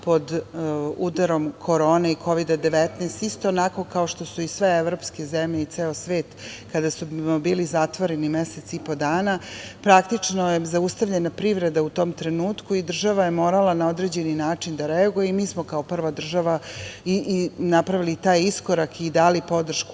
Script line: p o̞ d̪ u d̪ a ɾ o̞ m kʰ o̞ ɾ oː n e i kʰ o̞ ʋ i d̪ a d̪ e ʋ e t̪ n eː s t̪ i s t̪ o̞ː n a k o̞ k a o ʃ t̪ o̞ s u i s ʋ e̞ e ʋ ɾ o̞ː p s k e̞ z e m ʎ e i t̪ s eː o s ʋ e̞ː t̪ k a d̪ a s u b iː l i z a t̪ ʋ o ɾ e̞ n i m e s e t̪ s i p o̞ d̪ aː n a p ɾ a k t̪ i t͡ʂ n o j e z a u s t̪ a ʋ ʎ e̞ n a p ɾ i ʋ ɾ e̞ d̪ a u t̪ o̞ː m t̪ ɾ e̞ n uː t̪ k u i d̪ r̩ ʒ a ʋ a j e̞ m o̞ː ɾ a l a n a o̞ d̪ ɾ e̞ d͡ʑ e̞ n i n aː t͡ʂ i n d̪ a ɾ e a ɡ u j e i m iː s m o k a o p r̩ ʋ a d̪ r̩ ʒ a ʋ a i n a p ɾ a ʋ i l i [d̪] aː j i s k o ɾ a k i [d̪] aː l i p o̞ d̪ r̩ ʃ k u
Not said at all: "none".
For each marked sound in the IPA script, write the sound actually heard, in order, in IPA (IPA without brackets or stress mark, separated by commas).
t̪, d̪